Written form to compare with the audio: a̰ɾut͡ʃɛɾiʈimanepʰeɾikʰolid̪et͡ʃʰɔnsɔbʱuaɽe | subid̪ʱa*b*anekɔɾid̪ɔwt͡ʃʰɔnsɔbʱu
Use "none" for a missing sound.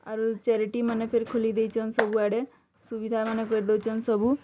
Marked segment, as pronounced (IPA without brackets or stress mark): m